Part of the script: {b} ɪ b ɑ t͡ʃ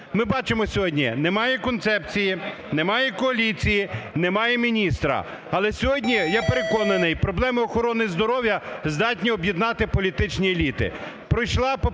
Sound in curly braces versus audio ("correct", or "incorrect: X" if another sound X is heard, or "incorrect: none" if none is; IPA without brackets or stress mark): incorrect: m